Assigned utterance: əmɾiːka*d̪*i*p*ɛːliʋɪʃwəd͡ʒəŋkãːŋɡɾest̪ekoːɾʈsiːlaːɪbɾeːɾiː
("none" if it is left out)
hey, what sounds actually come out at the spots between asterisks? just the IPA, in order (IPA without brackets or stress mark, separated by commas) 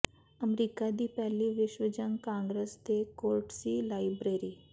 d̪, p